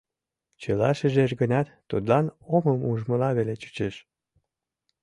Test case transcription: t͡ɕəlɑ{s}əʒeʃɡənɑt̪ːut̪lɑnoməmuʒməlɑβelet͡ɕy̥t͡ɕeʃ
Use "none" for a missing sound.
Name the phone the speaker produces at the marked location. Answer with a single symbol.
ʃ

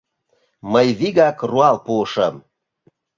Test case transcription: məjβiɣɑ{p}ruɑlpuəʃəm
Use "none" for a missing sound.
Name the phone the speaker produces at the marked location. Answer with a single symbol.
k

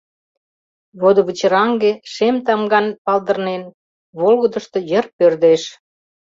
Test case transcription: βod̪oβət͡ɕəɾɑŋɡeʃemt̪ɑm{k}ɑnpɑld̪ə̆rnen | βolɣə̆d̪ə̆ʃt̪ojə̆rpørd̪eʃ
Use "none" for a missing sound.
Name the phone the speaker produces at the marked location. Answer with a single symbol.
ɡ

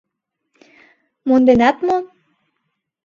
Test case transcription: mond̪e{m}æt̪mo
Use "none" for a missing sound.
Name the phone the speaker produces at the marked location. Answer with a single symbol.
n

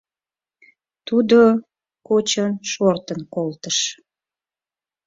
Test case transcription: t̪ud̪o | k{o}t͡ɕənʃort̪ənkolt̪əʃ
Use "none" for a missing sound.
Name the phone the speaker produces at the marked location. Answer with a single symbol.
o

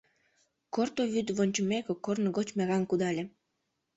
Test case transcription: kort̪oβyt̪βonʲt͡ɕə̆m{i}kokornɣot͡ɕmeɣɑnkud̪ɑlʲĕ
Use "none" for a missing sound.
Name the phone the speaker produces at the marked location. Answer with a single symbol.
e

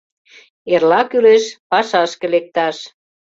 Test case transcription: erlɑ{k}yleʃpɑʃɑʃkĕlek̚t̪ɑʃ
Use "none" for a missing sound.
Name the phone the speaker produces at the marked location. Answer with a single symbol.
k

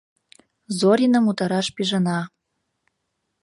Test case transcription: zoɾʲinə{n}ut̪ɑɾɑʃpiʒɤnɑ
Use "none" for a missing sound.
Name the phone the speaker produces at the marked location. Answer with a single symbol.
m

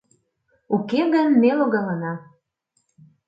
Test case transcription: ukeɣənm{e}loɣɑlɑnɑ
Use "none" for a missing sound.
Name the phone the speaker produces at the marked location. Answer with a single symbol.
e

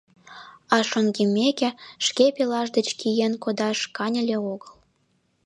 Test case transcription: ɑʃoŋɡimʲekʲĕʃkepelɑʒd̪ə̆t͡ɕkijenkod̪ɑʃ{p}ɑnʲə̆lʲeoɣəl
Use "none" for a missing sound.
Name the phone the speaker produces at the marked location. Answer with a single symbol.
k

